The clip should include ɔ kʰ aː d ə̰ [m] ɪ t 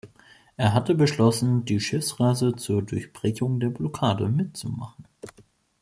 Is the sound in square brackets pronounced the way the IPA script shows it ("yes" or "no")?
yes